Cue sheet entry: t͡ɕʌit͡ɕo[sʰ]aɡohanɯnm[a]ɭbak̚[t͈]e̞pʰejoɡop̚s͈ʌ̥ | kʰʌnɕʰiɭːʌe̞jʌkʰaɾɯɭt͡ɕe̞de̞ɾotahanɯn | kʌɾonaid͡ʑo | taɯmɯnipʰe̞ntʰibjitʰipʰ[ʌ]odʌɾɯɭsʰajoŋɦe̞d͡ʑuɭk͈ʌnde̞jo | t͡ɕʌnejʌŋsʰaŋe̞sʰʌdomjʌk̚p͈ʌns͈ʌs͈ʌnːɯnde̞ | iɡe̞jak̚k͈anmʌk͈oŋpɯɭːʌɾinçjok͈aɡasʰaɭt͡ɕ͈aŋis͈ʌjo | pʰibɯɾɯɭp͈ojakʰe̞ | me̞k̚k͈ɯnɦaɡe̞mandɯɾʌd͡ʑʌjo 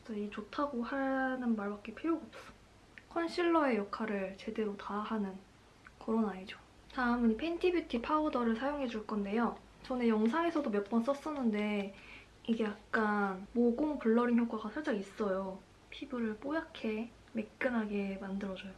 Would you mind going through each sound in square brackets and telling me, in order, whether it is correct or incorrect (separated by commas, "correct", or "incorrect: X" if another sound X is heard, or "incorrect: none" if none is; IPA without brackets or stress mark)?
incorrect: tʰ, correct, incorrect: k͈, incorrect: a